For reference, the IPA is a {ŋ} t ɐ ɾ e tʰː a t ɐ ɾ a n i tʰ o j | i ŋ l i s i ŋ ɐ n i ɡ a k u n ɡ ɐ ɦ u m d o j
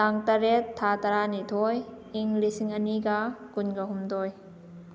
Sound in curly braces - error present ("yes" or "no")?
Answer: no